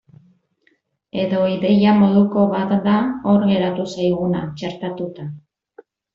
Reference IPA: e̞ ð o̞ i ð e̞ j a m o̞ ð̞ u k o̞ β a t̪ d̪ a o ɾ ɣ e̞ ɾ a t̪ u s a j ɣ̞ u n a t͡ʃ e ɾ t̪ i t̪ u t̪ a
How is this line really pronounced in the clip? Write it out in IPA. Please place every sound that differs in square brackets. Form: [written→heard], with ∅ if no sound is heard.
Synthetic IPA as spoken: e̞ ð o̞ i ð e̞ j a m o̞ ð̞ u k o̞ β a t̪ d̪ a o ɾ ɣ e̞ ɾ a t̪ u s a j ɣ̞ u n a t͡ʃ e ɾ t̪ [i→a] t̪ u t̪ a

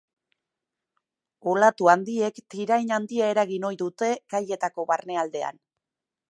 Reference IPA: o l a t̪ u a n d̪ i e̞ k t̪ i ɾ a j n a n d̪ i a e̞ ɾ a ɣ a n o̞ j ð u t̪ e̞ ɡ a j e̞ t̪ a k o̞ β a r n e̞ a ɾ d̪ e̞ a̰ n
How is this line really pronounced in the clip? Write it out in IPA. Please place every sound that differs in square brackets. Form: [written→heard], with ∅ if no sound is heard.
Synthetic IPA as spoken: o l a t̪ u a n d̪ i e̞ k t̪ i ɾ a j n a n d̪ i a e̞ ɾ a ɣ [a→i] n o̞ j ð u t̪ e̞ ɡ a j e̞ t̪ a k o̞ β a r n e̞ a [ɾ→l] d̪ e̞ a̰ n

